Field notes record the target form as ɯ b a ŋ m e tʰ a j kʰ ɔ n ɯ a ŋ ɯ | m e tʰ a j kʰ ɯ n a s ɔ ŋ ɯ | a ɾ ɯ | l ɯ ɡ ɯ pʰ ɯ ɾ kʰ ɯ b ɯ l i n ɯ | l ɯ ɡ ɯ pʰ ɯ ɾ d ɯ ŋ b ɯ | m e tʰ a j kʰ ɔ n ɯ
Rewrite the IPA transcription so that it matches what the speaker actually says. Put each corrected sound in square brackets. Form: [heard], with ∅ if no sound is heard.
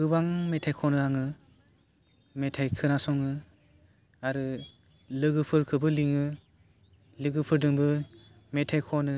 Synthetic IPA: ɯ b a ŋ m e tʰ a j kʰ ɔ n ɯ a ŋ ɯ | m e tʰ a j kʰ ɯ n a s ɔ ŋ ɯ | a ɾ ɯ | l ɯ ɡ ɯ pʰ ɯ ɾ kʰ ɯ b ɯ l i [ŋ] ɯ | l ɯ ɡ ɯ pʰ ɯ ɾ d ɯ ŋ b ɯ | m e tʰ a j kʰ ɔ n ɯ